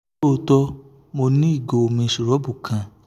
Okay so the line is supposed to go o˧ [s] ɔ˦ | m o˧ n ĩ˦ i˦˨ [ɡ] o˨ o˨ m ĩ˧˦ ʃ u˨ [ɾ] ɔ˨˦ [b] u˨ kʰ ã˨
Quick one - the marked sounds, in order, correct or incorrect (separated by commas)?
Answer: incorrect, correct, correct, correct